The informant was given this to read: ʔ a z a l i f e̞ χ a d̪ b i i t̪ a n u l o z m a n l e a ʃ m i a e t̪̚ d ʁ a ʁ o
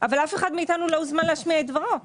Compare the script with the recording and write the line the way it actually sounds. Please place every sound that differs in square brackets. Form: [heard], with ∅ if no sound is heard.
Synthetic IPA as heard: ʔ a [v] a l [a] f e̞ χ a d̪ [m] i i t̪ a n u l o z m a n l e a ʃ m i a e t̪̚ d [v] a ʁ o